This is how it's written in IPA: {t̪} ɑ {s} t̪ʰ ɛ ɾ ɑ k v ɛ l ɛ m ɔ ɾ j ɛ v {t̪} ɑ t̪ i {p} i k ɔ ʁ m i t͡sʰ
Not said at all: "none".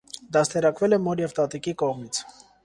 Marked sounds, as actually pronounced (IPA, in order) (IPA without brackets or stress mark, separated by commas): d̪, s, t̪, k